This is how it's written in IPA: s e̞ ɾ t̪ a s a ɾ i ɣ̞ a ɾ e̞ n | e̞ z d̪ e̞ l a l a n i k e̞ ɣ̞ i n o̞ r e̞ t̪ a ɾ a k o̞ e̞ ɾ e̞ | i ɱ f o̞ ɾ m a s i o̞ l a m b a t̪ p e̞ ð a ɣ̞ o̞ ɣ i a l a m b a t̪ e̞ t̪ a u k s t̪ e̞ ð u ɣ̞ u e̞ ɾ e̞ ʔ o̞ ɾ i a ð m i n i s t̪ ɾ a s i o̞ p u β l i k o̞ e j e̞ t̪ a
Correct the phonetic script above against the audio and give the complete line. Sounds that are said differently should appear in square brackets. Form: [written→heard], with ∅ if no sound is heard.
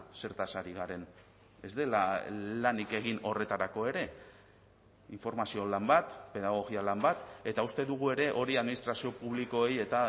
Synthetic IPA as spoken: s e̞ ɾ t̪ a s a ɾ i ɣ̞ a ɾ e̞ n | e̞ z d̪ e̞ l a l a n i k e̞ ɣ̞ i n o̞ r e̞ t̪ a ɾ a k o̞ e̞ ɾ e̞ | i ɱ f o̞ ɾ m a s i o̞ l a m b a t̪ p e̞ ð a ɣ̞ o̞ ɣ i a l a m b a t̪ e̞ t̪ a u [k→∅] s t̪ e̞ ð u ɣ̞ u e̞ ɾ e̞ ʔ o̞ ɾ i a ð m i n i s t̪ ɾ a s i o̞ p u β l i k o̞ e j e̞ t̪ a